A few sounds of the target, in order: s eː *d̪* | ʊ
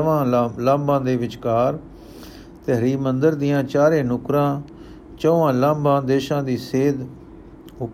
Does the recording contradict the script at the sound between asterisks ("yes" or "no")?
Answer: no